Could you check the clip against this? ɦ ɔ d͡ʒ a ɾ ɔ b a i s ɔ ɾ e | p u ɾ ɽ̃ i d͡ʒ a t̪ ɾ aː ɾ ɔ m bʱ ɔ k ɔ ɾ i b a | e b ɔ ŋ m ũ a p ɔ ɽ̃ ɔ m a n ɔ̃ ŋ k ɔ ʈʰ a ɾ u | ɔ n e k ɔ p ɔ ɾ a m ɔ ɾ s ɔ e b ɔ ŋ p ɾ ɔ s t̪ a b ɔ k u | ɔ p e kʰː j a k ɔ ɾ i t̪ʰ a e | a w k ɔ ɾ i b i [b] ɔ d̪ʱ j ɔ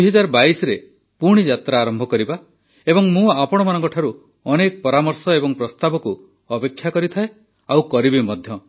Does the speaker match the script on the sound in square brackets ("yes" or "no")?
no